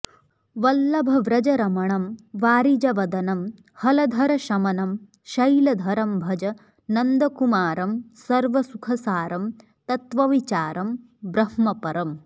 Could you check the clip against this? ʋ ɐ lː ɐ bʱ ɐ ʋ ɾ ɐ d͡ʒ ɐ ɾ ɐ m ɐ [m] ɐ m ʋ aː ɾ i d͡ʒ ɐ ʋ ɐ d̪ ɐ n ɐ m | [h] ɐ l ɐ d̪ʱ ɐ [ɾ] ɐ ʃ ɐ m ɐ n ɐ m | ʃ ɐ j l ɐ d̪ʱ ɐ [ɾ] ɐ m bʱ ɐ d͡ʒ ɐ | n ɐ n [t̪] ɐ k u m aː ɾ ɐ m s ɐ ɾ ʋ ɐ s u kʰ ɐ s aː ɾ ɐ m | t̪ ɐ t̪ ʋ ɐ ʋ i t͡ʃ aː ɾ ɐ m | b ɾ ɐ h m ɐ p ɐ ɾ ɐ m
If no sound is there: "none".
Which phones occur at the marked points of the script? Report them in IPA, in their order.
ɳ, h, ɾ, ɾ, d̪

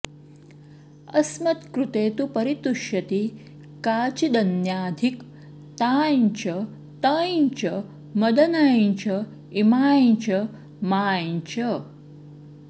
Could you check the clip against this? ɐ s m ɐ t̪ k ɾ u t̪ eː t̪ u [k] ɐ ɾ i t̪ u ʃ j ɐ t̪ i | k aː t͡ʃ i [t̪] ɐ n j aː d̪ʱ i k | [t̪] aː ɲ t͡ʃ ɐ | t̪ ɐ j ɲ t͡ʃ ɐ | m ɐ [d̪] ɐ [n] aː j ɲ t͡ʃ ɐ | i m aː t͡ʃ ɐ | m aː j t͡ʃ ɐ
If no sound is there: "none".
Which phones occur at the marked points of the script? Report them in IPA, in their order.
p, d̪, t̪, d̪, n

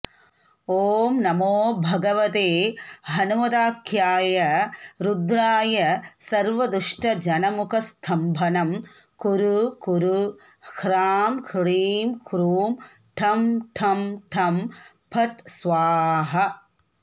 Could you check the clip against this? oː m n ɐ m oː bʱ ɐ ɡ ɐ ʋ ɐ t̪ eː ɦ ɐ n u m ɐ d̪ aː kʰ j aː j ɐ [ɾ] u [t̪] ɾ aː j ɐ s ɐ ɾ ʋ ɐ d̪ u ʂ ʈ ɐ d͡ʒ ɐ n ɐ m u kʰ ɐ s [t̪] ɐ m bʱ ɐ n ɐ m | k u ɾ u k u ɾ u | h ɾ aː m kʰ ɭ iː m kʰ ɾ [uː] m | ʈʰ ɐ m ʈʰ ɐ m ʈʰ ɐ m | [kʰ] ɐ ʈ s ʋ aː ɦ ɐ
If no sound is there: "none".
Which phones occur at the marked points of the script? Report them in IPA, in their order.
ɾ, d̪, t̪ʰ, uː, pʰ

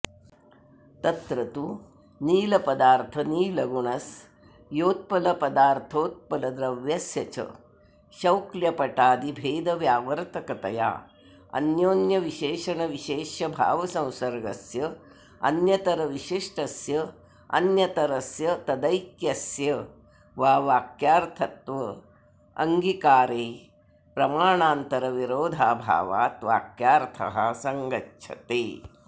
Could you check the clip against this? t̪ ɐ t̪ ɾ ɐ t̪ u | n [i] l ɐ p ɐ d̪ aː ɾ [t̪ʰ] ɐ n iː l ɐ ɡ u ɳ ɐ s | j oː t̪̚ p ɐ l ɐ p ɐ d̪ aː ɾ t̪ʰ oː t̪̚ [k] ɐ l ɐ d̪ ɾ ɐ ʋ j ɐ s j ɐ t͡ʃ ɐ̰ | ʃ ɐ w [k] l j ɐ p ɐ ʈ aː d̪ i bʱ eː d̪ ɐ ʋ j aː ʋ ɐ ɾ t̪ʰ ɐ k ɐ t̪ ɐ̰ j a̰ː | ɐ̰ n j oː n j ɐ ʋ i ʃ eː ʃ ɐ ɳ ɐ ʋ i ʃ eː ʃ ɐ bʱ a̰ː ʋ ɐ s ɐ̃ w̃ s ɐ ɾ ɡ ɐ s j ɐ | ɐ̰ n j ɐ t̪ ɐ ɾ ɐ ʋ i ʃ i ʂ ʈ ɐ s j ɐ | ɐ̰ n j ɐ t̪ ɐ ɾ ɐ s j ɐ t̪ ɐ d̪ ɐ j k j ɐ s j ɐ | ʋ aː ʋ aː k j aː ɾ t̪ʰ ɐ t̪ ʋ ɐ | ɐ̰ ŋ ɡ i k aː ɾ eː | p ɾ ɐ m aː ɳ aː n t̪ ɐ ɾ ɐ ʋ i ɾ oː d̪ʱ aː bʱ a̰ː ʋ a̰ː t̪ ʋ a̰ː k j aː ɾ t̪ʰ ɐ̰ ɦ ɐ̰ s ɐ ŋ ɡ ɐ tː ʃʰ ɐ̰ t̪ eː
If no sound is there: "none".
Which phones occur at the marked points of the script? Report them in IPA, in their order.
iː, t̪ʰ, p, k

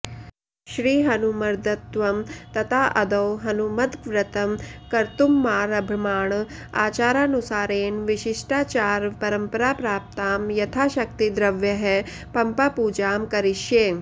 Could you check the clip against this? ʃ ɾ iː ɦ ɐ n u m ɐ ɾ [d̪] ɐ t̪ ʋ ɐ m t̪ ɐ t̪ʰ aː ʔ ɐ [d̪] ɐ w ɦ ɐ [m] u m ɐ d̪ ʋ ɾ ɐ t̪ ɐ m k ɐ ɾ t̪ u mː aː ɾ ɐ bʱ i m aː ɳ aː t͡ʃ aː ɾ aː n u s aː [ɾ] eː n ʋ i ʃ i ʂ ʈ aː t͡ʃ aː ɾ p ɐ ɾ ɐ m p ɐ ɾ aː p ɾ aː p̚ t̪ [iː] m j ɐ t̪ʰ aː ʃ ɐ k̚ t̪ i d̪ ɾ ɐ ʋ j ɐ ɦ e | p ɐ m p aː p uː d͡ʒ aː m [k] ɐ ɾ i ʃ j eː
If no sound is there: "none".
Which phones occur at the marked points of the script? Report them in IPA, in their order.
d̪, d̪, n, ɾ, aː, k

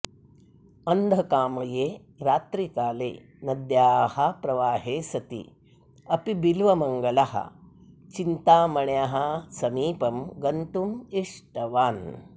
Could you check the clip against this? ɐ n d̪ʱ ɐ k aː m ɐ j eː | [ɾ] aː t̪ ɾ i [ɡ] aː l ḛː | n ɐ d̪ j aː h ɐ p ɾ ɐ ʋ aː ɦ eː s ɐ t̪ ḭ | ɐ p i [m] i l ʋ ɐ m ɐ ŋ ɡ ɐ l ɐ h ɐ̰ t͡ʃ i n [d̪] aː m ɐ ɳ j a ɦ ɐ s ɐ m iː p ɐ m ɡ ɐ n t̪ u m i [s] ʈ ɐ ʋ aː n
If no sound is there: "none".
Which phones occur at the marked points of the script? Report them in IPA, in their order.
ɾ, k, b, t̪, ʂ

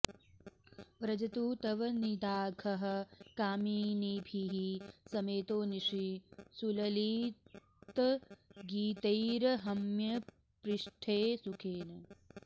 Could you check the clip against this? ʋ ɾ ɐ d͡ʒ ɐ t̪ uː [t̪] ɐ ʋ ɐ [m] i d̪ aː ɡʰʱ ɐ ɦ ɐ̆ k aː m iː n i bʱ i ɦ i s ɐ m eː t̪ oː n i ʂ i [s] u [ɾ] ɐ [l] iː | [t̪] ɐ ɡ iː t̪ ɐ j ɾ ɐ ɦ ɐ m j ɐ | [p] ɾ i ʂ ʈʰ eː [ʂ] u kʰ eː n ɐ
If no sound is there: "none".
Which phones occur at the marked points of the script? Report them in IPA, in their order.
t̪, n, s, l, l, t̪, p, s

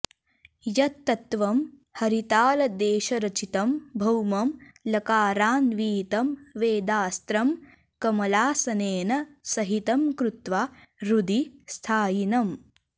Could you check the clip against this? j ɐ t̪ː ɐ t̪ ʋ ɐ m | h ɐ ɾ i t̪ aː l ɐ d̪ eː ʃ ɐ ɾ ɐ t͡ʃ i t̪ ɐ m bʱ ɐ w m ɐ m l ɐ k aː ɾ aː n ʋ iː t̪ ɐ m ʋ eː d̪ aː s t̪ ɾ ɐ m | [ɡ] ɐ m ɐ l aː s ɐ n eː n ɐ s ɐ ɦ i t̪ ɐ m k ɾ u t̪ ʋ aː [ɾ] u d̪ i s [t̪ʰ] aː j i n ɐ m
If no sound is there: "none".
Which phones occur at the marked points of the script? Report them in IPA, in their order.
k, ɾ, t̪ʰ

